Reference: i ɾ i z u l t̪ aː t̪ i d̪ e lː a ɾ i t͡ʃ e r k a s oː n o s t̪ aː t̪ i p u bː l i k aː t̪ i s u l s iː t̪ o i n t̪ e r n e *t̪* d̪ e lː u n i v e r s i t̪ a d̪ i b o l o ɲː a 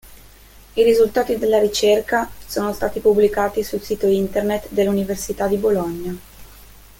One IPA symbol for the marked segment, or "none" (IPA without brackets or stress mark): t̪